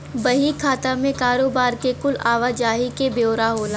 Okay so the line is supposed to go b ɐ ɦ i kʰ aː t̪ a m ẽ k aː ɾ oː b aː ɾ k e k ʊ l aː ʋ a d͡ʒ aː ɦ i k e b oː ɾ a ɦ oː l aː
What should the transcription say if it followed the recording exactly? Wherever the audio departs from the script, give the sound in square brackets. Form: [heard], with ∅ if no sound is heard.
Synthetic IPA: b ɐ ɦ i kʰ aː t̪ a m ẽ k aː ɾ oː b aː ɾ k e k ʊ l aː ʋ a d͡ʒ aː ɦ i k e b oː ɾ a ɦ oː l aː